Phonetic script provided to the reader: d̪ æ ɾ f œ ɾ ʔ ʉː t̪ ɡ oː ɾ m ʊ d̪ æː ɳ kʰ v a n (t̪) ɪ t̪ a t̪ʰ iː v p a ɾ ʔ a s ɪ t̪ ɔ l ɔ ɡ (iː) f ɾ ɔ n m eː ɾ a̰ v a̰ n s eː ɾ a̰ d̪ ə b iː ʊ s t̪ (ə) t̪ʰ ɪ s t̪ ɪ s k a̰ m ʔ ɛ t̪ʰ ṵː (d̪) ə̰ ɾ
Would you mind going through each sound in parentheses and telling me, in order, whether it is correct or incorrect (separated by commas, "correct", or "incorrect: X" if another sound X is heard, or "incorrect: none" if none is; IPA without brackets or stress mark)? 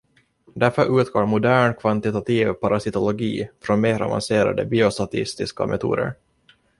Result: correct, correct, incorrect: a, correct